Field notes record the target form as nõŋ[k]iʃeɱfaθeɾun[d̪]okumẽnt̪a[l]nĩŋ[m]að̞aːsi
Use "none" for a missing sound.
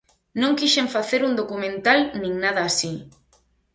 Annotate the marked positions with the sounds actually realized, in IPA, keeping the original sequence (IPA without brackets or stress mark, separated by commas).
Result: k, d̪, l, n